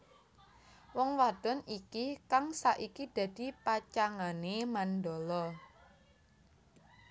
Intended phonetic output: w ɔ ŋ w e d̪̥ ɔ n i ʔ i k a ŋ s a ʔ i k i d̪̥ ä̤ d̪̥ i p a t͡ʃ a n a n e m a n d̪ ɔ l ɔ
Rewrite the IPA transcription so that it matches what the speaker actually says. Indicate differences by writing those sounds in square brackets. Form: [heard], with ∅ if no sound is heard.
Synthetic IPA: w ɔ ŋ w [a] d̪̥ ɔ n i [k] i k a ŋ s a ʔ i k i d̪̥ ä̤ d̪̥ i p a t͡ʃ a [ŋ] a n e m a n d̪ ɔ l ɔ

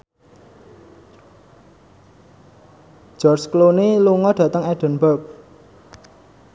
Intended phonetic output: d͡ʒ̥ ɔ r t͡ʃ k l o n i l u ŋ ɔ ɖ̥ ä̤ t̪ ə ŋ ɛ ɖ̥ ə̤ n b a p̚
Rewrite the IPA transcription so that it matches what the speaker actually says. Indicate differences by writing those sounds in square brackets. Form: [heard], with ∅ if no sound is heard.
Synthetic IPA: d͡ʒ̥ ɔ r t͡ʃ k l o n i l u ŋ ɔ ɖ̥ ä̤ t̪ ə ŋ ɛ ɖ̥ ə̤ n b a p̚

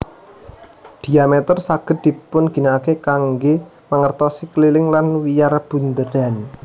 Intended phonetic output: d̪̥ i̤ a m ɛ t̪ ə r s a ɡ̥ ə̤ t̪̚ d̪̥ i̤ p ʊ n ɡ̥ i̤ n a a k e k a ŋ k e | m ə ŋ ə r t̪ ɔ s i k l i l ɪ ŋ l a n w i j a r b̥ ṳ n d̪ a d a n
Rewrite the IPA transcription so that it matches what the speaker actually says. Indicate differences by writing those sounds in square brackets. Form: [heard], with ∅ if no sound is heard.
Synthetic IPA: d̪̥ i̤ a m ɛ t̪ ə r s a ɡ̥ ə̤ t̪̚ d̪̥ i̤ p ʊ n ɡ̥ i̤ n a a k e k a ŋ [ɡ] e | m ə ŋ ə r t̪ ɔ s i k l i l ɪ ŋ l a n w i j a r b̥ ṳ n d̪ [ə] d a n

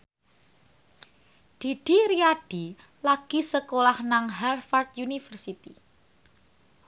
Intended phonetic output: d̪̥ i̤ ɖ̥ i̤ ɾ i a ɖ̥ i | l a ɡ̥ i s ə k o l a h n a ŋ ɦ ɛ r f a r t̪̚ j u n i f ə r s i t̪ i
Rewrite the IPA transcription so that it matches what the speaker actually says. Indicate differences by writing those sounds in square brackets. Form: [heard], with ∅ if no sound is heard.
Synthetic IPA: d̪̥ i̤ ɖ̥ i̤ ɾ i a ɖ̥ i | l a ɡ̥ i s ə k o l a h n a ŋ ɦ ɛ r f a r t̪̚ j u n i f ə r s i t̪ i

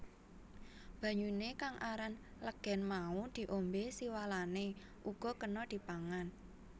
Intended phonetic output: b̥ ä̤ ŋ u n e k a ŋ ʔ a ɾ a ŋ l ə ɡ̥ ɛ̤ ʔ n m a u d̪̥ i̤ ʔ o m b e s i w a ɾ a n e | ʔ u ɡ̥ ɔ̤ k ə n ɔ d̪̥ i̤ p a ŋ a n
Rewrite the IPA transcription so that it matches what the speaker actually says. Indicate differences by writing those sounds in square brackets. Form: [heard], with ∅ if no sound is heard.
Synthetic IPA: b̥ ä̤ [ɲ] u n e k a ŋ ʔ a ɾ a [n] l ə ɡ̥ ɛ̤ [∅] n m a u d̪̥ i̤ ʔ o m b e s i w a [l] a n e | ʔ u ɡ̥ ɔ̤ k ə n ɔ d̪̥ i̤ p a ŋ a n

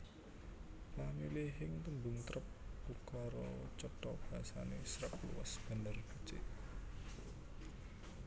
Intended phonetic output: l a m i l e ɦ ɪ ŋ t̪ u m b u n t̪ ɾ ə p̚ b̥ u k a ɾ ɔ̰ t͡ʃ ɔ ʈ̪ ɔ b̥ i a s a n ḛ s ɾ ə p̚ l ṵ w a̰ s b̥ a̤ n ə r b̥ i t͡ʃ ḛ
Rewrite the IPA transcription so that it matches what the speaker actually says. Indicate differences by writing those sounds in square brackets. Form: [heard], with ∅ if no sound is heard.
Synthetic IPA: l a m i l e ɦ ɪ ŋ t̪ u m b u [ŋ] t̪ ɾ ə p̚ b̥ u k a ɾ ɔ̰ t͡ʃ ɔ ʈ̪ ɔ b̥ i a s a n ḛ s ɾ ə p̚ l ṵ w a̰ s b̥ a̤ n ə r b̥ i t͡ʃ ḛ

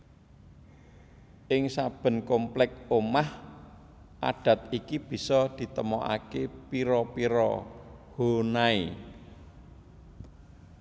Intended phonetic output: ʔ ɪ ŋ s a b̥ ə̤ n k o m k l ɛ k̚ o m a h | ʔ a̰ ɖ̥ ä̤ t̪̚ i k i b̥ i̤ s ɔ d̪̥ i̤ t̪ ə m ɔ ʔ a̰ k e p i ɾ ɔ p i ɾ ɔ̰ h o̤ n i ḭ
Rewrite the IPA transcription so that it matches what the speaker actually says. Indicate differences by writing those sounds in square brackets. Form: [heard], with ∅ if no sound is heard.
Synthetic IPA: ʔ ɪ ŋ s a b̥ ə̤ n k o m [p] l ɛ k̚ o m a h | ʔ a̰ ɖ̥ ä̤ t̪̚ i k i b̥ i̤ s ɔ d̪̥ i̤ t̪ ə m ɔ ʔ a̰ k e p i ɾ ɔ p i ɾ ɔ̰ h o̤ n [a] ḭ

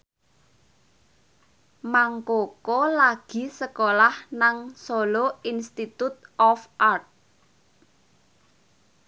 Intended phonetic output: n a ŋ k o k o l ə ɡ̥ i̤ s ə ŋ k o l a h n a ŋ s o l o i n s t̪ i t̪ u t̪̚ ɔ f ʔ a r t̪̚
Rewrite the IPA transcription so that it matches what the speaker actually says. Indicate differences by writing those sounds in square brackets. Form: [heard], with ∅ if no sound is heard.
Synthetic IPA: [m] a ŋ k o k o l [a] ɡ̥ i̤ s ə [∅] k o l a h n a ŋ s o l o i n s t̪ i t̪ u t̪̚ ɔ f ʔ a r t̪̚

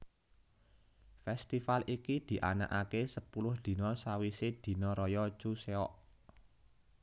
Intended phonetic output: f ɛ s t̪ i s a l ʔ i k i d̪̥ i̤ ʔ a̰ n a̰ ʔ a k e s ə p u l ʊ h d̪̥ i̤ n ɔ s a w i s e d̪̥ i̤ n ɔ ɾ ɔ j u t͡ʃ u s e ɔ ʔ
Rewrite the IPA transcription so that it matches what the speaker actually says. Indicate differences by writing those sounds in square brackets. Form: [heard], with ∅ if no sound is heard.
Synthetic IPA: f ɛ s t̪ i [f] a l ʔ i k i d̪̥ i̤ ʔ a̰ n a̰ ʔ a k e s ə p u l ʊ h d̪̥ i̤ n ɔ s a w i s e d̪̥ i̤ n ɔ ɾ ɔ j [ɔ] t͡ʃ u s e ɔ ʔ

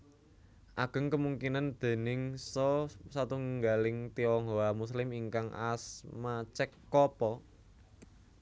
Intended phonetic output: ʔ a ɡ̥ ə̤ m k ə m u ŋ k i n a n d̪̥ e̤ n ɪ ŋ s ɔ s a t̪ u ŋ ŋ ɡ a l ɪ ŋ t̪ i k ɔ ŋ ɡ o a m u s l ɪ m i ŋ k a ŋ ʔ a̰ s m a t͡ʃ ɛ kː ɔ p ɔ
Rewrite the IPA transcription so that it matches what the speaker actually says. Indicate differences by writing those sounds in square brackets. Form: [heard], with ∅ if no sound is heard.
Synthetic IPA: ʔ a ɡ̥ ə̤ [ŋ] k ə m u ŋ k i n a n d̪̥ e̤ n ɪ ŋ s ɔ s a t̪ u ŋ ŋ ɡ a l ɪ ŋ t̪ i [∅] ɔ ŋ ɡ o a m u s l ɪ m i ŋ k a ŋ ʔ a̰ s m a t͡ʃ ɛ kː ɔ p ɔ

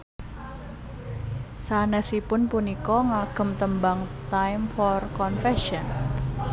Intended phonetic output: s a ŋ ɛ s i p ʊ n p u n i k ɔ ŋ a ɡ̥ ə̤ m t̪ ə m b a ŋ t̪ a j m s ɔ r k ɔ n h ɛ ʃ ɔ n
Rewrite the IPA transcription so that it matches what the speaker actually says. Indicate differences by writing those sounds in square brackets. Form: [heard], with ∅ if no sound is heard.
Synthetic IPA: s a [n] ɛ s i p ʊ n p u n i k ɔ ŋ a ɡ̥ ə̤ m t̪ ə m b a ŋ t̪ a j m [f] ɔ r k ɔ n [f] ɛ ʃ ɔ n

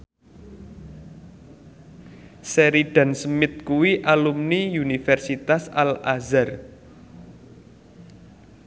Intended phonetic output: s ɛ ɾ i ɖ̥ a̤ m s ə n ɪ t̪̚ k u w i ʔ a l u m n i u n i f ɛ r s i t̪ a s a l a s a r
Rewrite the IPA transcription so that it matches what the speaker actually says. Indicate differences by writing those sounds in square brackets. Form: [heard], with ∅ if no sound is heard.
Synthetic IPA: s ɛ ɾ i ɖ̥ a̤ [n] s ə [m] ɪ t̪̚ k u w i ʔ a l u m n i u n i f ɛ r s i t̪ a s a l a [z] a r

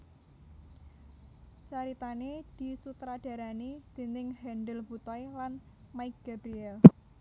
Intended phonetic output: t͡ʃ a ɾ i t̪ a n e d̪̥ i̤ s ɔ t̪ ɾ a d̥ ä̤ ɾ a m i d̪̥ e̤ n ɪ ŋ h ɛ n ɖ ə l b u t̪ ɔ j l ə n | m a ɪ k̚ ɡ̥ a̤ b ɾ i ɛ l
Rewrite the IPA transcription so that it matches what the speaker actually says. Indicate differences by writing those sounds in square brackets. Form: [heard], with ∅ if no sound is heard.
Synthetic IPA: t͡ʃ a ɾ i t̪ a n e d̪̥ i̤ s [u] t̪ ɾ a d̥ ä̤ ɾ a [n] i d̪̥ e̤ n ɪ ŋ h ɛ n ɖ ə l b u t̪ ɔ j l [a] n | m a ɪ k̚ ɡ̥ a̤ b ɾ i ɛ l

